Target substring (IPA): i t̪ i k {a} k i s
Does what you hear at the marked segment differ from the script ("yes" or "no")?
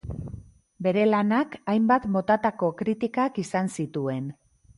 no